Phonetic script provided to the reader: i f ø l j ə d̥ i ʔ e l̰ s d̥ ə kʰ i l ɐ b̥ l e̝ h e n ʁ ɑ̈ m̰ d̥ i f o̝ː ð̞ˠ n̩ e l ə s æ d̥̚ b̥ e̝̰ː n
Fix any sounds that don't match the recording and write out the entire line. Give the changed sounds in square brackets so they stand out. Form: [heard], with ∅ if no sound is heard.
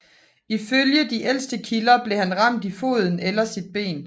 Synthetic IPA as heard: i f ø l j ə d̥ i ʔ e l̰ s d̥ ə kʰ i l ɐ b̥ l e̝ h [æ] n ʁ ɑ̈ m̰ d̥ i f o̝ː ð̞ˠ n̩ e l [ɐ] s [i] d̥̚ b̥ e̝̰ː n